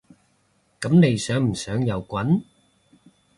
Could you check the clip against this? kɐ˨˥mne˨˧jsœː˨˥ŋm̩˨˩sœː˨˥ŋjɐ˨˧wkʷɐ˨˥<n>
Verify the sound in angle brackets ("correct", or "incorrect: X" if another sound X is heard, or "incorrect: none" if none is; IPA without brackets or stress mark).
correct